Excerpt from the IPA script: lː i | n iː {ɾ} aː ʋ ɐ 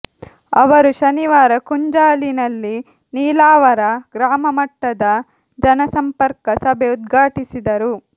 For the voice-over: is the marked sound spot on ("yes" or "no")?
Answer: no